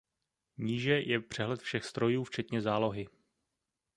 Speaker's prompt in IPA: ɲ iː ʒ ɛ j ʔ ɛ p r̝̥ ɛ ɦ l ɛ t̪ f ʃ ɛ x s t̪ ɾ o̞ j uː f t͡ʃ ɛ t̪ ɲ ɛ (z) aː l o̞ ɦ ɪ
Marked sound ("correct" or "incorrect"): correct